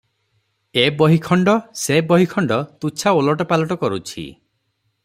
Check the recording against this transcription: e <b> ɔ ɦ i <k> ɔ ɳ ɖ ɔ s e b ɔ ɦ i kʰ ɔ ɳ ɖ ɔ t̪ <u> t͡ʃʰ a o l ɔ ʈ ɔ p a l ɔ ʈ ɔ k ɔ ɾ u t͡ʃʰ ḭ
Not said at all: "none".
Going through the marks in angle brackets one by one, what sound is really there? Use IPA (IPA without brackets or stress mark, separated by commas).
b, kʰ, u